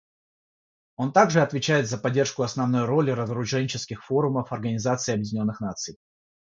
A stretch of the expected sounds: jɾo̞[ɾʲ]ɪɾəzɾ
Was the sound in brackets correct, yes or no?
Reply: no